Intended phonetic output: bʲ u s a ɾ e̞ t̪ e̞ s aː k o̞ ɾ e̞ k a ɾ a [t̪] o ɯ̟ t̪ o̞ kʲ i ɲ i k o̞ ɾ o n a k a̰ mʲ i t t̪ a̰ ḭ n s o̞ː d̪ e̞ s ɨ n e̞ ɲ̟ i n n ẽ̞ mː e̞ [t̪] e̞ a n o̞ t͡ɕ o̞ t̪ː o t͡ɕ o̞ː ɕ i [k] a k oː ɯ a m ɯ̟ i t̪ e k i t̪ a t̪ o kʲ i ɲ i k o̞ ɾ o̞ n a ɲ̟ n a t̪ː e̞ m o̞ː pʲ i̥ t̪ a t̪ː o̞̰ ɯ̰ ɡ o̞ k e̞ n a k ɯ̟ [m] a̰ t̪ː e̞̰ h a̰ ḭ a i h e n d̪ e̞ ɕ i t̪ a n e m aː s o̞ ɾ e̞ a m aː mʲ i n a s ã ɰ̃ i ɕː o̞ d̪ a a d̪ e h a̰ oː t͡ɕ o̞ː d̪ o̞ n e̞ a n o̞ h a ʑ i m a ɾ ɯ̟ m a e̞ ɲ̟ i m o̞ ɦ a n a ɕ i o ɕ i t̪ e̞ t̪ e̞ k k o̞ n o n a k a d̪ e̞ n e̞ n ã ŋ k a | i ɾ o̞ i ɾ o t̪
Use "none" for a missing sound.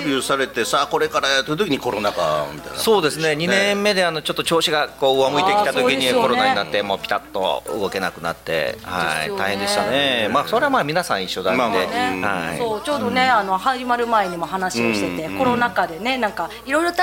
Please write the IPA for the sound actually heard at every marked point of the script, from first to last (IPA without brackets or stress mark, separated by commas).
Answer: t̪, d̪, ɡ, n